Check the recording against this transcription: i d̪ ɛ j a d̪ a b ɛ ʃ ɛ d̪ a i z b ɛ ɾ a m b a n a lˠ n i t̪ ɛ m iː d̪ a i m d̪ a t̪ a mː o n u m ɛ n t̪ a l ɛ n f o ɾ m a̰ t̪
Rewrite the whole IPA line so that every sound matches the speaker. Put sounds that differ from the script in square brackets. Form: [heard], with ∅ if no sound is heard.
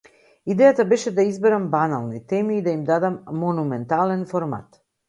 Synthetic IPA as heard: i d̪ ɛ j a [t̪] a b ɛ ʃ ɛ d̪ a i z b ɛ ɾ a m b a n a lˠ n i t̪ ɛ m iː d̪ a i m d̪ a [d̪] a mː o n u m ɛ n t̪ a l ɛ n f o ɾ m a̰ t̪